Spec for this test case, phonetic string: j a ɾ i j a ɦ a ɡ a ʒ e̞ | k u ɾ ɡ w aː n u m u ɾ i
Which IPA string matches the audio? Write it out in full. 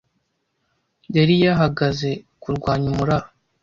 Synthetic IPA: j a ɾ i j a ɦ a ɡ a z e̞ | k u ɾ ɡ w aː ɲ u m u ɾ a